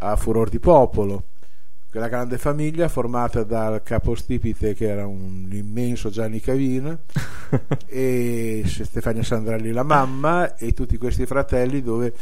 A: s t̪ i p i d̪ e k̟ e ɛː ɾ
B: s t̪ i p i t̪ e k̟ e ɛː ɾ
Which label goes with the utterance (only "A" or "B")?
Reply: B